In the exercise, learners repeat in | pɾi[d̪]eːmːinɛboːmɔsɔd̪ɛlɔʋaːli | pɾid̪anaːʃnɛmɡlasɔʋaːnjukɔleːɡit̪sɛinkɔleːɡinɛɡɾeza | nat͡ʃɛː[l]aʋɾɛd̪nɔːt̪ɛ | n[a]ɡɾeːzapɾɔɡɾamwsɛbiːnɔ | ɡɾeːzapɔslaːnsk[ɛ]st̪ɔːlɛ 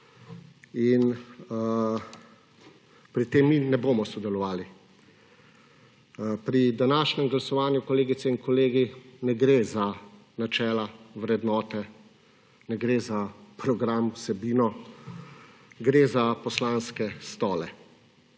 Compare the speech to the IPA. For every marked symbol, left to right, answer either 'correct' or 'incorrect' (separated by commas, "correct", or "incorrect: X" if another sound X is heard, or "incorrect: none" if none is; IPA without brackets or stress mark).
incorrect: t̪, correct, incorrect: ɛ, correct